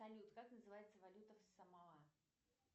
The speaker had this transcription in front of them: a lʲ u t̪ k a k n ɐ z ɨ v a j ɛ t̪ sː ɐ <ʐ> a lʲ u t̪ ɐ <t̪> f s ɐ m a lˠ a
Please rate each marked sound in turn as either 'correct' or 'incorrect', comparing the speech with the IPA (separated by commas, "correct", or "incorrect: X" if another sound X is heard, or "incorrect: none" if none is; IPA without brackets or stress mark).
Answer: incorrect: v, incorrect: none